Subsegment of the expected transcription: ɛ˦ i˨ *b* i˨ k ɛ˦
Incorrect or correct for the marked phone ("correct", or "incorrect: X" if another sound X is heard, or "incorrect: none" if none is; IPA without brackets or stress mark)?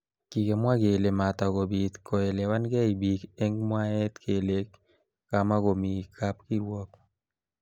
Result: correct